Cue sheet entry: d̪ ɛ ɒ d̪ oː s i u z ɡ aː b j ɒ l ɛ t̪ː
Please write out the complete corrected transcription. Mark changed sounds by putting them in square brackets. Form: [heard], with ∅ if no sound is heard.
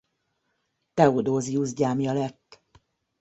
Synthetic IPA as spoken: [t̪] ɛ [o] d̪ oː [z] i u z [ɟ] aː [m] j ɒ l ɛ t̪ː